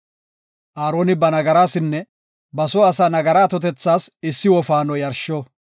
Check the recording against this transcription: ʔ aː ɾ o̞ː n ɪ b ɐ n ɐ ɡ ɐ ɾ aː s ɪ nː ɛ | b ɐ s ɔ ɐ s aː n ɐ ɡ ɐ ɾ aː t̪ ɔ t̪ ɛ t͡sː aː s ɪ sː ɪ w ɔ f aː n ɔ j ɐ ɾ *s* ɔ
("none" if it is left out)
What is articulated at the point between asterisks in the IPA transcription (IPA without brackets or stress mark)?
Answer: ʃ